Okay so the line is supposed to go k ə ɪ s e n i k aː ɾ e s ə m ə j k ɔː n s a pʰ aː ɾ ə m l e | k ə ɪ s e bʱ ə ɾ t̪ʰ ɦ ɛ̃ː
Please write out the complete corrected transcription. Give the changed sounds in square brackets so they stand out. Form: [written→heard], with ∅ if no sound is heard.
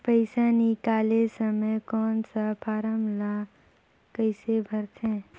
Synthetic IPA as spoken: [k→p] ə ɪ s [e→a] n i k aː [ɾ→l] e s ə m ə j k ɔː n s a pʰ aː ɾ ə m l [e→a] | k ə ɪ s e bʱ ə ɾ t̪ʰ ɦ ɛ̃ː

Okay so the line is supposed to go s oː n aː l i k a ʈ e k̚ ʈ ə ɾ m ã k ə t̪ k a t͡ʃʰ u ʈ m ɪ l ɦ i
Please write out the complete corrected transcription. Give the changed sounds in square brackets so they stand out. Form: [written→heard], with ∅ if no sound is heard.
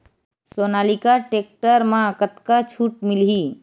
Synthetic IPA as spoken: s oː n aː l i k a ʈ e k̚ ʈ ə ɾ m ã k ə t̪ k a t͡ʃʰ u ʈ m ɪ l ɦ i

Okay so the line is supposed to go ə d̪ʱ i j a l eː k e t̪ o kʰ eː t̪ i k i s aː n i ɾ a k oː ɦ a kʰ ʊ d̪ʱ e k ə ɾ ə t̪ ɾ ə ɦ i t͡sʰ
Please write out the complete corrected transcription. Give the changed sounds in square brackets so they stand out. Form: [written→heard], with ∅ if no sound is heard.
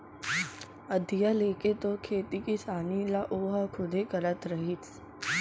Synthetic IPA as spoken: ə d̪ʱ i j a l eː k e t̪ o kʰ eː t̪ i k i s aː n i [ɾ→l] a [k→ʔ] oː ɦ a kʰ ʊ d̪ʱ e k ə ɾ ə t̪ ɾ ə ɦ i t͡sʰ

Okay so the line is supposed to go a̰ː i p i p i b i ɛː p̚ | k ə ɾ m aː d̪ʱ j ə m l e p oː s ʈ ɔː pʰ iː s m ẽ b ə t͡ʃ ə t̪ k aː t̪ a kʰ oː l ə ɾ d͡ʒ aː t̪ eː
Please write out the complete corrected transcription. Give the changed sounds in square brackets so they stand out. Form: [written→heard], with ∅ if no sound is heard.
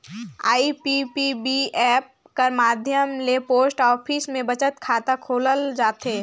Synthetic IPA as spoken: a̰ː i p i p i b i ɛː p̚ | k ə ɾ m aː d̪ʱ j ə m l e p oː s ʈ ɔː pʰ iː s m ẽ b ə t͡ʃ ə t̪ [k→kʰ] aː t̪ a kʰ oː l ə [ɾ→l] d͡ʒ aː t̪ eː

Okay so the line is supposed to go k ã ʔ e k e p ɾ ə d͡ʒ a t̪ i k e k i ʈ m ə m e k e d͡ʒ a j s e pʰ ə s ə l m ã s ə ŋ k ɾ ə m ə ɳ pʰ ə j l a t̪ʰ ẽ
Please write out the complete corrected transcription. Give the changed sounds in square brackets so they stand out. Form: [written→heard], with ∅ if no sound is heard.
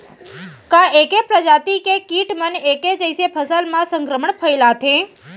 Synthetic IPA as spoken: k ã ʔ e k e p ɾ ə d͡ʒ a t̪ i k e k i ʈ m ə [m→n] e k e d͡ʒ [a→ə] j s e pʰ ə s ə l m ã s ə ŋ k ɾ ə m ə ɳ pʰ ə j l a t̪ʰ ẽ

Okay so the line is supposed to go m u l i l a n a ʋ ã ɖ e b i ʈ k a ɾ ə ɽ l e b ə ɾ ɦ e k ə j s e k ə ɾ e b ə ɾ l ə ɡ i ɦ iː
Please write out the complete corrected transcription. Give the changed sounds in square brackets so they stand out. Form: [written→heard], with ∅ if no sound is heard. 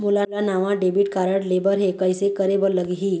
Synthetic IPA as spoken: m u l [i→a] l a n a ʋ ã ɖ e b i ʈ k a ɾ ə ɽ l e b ə ɾ ɦ e k ə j s e k ə ɾ e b ə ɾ l ə ɡ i ɦ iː

